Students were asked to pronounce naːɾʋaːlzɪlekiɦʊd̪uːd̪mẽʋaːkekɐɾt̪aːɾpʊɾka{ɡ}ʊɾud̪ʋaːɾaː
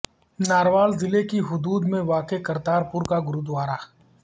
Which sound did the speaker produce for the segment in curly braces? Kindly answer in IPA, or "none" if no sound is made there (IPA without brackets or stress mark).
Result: ɡ